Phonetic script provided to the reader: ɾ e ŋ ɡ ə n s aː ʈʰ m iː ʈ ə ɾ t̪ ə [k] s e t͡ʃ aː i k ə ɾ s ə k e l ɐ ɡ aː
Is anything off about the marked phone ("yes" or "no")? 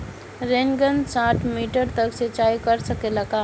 no